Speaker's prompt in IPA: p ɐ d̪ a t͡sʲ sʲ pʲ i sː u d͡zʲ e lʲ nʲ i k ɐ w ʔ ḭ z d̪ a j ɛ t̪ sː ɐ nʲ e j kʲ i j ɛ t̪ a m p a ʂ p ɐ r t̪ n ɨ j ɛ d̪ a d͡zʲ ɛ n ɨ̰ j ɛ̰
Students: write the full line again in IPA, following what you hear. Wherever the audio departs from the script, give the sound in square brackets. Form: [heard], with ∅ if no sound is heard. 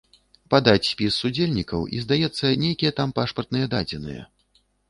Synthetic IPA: p [a] d̪ a t͡sʲ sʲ pʲ i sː u d͡zʲ e lʲ nʲ i k ɐ w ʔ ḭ z d̪ a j ɛ t̪ sː ɐ nʲ e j kʲ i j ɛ t̪ a m p a ʂ p ɐ r t̪ n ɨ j ɛ d̪ a d͡zʲ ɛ n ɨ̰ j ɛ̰